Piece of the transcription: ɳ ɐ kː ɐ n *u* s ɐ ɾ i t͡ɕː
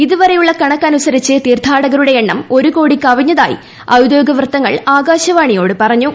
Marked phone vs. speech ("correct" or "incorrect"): correct